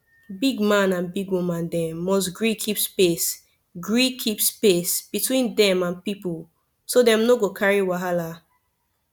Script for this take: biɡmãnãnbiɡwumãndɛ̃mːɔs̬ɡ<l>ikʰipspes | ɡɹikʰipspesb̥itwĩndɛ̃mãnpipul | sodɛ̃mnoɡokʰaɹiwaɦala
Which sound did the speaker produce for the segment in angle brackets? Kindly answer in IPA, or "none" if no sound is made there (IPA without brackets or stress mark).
ɹ